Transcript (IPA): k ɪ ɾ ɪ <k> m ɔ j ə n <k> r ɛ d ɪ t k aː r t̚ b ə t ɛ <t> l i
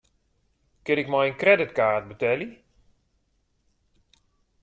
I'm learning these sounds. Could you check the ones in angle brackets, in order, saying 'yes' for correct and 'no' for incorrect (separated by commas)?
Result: yes, yes, no